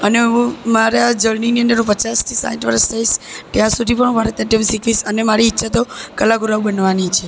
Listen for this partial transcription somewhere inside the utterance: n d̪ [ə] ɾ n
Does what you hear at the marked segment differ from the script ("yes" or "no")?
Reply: no